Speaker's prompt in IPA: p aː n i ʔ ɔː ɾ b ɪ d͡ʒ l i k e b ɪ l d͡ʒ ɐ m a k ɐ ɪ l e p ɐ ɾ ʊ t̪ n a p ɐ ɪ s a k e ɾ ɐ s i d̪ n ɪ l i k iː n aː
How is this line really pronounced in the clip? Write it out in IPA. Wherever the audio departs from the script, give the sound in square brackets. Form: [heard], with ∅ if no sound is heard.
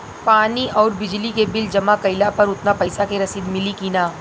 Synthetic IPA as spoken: p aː n i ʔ ɔː ɾ b ɪ d͡ʒ l i k e b ɪ l d͡ʒ ɐ m a k ɐ ɪ l [a] p ɐ ɾ ʊ t̪ n a p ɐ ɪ s a k e ɾ ɐ s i d̪ [m] ɪ l i k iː n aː